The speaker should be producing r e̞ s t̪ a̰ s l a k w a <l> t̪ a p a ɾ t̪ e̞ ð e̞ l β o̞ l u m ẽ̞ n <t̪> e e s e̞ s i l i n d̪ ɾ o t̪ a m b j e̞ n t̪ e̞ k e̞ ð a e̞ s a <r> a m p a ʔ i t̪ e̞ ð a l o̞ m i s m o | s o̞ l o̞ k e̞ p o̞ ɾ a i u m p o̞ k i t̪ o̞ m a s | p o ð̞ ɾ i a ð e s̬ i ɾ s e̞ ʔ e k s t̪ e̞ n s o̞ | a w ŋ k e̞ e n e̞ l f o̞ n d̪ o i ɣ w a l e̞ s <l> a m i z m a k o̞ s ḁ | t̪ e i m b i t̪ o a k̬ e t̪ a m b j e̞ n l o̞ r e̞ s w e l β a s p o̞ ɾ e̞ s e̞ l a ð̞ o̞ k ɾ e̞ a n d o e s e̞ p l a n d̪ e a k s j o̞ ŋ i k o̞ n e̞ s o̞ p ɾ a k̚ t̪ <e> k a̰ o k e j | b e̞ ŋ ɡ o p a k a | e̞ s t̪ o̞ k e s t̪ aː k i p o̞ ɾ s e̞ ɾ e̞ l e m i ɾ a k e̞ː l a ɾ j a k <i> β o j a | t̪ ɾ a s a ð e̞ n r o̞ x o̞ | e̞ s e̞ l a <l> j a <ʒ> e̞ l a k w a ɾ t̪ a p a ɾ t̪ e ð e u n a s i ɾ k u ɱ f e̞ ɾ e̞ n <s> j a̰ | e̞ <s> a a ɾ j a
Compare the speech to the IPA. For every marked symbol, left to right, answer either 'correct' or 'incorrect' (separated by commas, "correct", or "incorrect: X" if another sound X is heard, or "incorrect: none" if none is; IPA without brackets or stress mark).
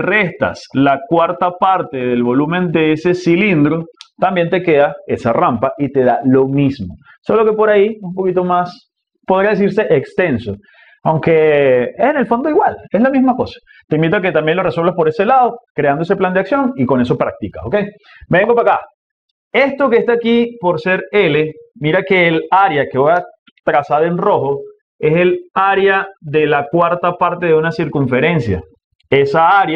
incorrect: ɾ, incorrect: d̪, correct, correct, incorrect: i, incorrect: e, incorrect: ɾ, incorrect: ð, correct, correct